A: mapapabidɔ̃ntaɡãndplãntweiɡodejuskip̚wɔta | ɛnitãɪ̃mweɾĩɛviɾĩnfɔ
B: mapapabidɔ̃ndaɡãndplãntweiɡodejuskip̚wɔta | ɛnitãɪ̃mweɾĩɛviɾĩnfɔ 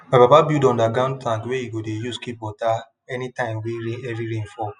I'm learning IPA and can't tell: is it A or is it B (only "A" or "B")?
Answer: B